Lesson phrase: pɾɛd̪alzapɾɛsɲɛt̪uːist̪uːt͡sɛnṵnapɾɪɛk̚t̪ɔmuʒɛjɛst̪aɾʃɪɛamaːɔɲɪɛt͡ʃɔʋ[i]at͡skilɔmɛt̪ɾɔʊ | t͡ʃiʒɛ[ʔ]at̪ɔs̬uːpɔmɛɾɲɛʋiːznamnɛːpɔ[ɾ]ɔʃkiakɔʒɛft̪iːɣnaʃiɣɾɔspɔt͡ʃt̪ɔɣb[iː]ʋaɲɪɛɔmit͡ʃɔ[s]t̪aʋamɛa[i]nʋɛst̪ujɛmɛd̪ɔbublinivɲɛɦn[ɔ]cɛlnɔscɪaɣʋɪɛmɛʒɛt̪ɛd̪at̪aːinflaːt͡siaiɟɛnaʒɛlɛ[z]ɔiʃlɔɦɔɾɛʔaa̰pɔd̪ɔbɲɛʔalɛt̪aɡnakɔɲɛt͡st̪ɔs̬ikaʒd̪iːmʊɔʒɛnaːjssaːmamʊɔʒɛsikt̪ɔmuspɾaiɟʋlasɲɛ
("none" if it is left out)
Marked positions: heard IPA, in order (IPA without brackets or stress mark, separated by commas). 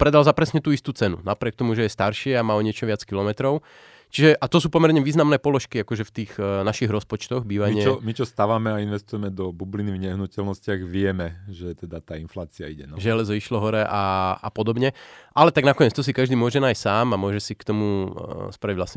ɪ, ʔ, l, iː, s, i, u, z